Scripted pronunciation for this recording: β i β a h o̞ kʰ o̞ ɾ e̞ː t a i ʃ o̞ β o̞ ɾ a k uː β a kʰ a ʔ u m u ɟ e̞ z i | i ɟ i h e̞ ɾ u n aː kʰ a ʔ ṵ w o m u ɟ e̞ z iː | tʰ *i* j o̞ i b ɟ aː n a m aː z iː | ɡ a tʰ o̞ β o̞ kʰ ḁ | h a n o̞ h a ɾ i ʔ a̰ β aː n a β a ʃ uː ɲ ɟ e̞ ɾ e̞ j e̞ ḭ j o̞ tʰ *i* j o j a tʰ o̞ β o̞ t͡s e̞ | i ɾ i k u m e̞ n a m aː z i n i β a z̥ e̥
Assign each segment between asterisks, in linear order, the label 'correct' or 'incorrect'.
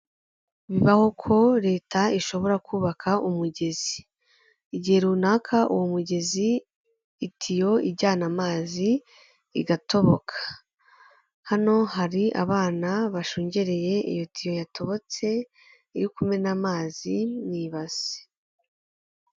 correct, correct

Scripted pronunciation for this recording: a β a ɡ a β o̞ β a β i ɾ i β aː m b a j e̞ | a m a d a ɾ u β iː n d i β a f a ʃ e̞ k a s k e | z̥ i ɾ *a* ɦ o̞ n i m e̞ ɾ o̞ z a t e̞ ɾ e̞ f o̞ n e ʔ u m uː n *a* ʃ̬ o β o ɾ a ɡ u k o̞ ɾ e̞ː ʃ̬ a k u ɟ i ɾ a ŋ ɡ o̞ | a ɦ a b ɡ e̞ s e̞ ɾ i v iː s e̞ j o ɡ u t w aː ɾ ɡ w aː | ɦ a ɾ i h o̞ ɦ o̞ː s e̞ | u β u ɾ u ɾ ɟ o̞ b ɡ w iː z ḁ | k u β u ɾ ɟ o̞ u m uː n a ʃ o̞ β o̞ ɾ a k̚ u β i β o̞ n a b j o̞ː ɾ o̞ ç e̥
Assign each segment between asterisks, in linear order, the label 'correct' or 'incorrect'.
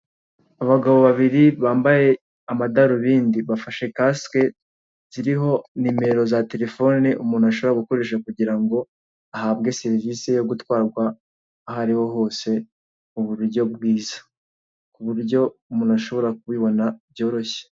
incorrect, correct

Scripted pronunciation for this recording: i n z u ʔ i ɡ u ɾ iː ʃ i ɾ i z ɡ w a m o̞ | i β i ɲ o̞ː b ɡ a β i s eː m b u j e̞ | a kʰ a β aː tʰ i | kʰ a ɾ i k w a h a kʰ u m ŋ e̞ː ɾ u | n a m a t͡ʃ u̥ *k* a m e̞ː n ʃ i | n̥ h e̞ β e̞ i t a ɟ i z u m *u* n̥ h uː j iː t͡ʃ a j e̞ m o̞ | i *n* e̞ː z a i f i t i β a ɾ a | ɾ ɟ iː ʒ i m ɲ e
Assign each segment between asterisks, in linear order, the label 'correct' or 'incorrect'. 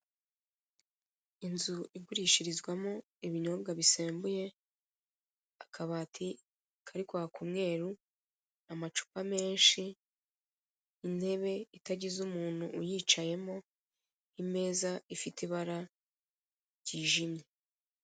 incorrect, incorrect, incorrect

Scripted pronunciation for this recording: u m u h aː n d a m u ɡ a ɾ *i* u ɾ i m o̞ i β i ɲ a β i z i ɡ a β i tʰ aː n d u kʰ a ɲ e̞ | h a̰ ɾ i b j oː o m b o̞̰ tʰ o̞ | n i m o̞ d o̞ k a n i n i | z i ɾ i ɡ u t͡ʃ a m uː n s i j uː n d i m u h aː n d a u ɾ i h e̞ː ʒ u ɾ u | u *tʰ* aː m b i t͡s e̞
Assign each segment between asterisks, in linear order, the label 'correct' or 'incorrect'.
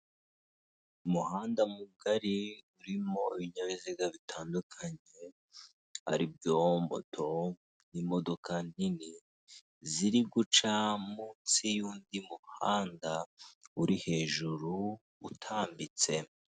correct, correct

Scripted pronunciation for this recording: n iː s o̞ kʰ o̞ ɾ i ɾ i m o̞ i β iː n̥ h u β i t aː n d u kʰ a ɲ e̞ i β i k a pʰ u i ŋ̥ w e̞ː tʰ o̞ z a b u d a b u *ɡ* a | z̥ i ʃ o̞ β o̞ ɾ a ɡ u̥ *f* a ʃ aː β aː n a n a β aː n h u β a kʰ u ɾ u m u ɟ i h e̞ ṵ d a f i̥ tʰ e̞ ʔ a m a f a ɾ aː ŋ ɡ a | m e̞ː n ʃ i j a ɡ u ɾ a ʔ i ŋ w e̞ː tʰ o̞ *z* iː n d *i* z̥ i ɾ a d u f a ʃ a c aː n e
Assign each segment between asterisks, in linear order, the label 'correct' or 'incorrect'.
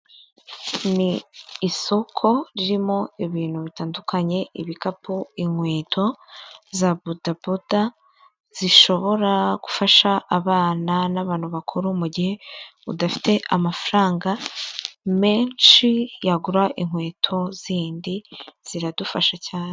incorrect, correct, correct, correct

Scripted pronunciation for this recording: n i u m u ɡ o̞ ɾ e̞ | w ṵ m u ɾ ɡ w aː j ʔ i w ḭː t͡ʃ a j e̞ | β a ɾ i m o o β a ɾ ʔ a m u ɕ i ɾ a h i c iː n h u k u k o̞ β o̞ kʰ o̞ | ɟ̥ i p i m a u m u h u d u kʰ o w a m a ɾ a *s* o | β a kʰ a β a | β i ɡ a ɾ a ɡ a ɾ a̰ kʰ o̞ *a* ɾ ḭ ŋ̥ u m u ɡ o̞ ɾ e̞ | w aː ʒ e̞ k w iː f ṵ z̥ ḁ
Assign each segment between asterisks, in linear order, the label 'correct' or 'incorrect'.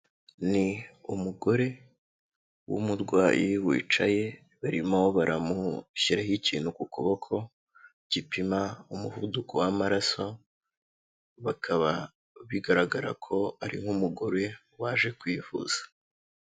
correct, correct

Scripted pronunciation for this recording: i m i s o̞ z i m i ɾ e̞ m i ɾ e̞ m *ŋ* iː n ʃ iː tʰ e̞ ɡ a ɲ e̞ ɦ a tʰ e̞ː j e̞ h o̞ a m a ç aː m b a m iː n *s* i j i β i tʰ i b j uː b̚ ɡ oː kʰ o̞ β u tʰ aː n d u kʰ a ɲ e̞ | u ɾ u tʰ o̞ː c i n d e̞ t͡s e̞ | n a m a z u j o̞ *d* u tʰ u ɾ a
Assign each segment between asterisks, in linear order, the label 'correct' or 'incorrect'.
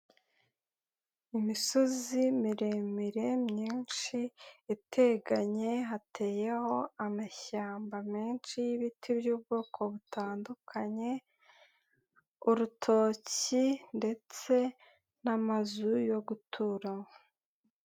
incorrect, incorrect, incorrect

